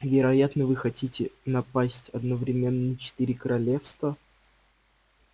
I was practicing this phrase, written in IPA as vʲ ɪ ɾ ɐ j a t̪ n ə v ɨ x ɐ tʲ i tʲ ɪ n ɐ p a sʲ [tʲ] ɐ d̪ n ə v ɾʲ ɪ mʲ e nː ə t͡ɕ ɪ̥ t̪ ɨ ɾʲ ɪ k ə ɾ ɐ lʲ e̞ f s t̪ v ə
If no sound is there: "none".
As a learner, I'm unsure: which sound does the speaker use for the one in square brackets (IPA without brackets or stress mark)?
tʲ